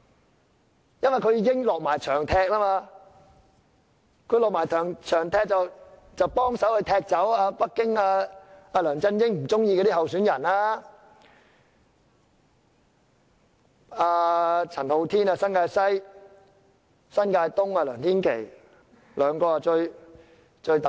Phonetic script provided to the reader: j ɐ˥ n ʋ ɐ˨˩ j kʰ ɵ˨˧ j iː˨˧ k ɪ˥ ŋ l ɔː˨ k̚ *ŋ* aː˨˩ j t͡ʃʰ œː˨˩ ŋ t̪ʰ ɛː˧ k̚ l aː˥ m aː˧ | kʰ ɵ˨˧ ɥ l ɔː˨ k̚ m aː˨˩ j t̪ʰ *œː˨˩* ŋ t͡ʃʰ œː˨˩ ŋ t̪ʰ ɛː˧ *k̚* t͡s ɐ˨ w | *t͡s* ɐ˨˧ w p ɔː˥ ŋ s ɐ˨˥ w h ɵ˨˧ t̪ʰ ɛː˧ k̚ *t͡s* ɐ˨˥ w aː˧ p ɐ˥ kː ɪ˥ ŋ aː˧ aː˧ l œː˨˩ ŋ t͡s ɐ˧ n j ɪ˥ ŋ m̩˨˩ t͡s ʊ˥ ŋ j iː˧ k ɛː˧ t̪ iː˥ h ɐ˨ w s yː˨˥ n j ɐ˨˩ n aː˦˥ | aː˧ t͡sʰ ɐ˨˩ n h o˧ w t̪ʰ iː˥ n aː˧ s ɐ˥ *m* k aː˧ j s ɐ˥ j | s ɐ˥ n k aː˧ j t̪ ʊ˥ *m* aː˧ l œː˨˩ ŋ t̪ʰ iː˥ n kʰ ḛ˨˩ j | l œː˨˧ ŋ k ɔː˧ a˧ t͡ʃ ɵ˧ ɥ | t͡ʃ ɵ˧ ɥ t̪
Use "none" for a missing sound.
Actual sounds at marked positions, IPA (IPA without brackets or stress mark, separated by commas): m, œː˨˩, k̚, t͡s, t͡s, n, ŋ